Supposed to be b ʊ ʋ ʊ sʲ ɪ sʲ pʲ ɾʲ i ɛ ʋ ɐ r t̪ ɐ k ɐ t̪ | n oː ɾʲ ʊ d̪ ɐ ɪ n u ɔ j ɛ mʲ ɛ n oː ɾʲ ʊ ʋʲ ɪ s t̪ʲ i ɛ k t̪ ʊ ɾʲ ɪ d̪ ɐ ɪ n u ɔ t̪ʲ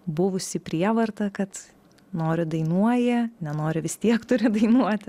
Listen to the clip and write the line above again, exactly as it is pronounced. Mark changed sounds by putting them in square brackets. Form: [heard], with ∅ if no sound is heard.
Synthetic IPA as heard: b ʊ ʋ ʊ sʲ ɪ [∅] pʲ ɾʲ i ɛ ʋ ɐ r t̪ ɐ k ɐ t̪ | n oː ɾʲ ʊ d̪ ɐ ɪ n u ɔ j ɛ [nʲ] ɛ n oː ɾʲ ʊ ʋʲ ɪ s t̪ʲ i ɛ k t̪ ʊ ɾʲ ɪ d̪ ɐ ɪ n u ɔ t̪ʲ